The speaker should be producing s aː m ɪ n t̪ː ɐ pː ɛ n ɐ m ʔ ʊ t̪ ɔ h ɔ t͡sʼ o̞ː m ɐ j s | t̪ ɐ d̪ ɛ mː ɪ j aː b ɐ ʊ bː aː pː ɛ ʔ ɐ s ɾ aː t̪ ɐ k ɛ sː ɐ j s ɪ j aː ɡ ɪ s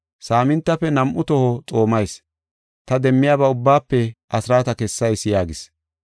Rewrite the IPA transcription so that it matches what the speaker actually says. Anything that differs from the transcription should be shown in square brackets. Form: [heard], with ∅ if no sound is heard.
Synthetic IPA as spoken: s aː m ɪ n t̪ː ɐ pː ɛ n ɐ m ʔ ʊ t̪ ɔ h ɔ t͡sʼ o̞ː m ɐ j s | t̪ ɐ d̪ ɛ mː ɪ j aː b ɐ ʊ bː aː pː ɛ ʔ ɐ s ɾ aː t̪ ɐ k ɛ sː ɐ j s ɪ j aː ɡ ɪ s